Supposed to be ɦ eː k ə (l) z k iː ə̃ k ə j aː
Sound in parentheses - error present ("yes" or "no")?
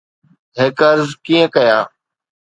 yes